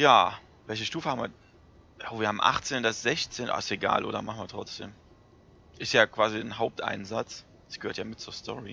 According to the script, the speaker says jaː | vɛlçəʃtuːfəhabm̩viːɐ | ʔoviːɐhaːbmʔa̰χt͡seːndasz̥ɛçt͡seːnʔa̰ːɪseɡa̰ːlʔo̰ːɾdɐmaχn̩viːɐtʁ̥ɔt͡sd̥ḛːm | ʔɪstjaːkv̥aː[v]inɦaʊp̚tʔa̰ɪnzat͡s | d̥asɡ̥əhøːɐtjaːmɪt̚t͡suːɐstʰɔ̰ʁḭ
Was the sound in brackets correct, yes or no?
no